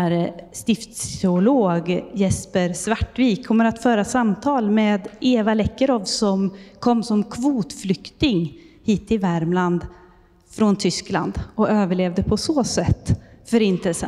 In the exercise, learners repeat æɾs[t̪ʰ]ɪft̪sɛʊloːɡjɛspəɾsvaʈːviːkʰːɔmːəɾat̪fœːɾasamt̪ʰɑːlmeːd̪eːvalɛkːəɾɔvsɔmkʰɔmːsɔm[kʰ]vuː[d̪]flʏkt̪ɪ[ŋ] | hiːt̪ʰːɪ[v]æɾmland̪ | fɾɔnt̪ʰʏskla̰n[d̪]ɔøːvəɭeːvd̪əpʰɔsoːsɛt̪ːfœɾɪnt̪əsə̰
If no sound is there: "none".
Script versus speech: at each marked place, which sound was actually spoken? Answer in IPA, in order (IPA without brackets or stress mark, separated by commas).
t̪, kʰ, t̪, ŋ, v, d̪